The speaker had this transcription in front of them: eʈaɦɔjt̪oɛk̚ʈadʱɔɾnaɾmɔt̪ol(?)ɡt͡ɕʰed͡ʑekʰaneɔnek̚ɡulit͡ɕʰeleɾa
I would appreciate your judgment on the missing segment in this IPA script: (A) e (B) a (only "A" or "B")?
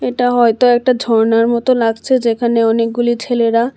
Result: B